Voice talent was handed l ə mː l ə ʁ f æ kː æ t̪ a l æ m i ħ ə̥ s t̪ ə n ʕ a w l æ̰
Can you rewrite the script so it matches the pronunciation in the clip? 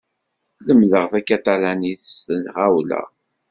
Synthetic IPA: l ə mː l ə ʁ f æ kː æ t̪ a l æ n i θ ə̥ s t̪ ə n ʁ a w l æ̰